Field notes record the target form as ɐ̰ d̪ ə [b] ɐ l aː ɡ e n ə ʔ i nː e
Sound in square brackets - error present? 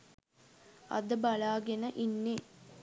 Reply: no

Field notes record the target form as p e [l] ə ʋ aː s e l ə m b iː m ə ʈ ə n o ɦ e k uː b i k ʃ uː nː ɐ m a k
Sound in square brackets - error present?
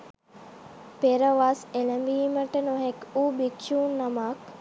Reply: yes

